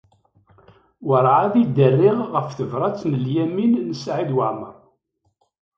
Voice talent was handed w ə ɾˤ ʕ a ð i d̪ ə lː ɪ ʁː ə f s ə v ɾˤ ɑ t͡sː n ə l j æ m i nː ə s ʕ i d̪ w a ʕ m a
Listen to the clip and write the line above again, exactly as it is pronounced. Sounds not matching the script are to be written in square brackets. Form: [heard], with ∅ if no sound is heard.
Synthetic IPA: w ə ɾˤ ʕ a ð i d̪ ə [rː] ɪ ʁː ə f [θ] ə v ɾˤ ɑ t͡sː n ə l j æ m i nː ə s ʕ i d̪ w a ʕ m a

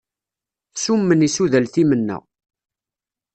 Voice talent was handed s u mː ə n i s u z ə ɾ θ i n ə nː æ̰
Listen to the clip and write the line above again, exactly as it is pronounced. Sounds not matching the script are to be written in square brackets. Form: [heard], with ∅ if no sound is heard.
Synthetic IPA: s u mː ə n i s u [ð] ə [l] θ i [m] ə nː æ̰

